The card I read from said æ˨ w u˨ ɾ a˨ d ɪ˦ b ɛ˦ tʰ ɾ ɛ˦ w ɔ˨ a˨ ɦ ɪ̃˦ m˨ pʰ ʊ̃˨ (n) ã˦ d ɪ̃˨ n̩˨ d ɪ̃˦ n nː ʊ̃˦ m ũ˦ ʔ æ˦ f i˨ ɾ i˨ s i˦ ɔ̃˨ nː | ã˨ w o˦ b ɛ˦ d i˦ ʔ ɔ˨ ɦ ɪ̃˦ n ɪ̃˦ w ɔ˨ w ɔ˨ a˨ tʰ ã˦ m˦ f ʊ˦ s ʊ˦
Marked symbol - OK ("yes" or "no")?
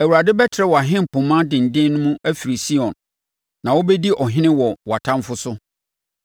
no